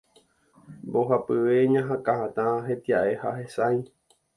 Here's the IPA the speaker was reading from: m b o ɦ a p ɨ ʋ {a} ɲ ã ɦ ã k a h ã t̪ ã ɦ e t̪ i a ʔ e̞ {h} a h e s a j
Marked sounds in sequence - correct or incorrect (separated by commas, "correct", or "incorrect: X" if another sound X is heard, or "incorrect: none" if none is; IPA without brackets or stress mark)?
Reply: incorrect: e, correct